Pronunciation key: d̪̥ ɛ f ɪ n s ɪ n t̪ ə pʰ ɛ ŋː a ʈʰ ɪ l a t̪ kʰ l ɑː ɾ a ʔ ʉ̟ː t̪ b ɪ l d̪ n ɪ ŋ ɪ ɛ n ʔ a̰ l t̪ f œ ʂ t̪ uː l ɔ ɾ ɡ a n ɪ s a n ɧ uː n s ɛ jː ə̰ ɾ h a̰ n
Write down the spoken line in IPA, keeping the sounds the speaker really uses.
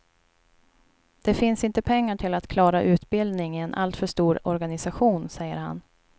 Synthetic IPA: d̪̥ ɛ f ɪ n s ɪ n t̪ ə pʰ ɛ ŋː a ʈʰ ɪ l a t̪ kʰ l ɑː ɾ a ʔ ʉ̟ː t̪ b ɪ l d̪ n ɪ ŋ ɪ ɛ n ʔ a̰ l t̪ f œ ʂ t̪ uː ɾ ɔ ɾ ɡ a n ɪ s a ɧ uː n s ɛ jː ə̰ ɾ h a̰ n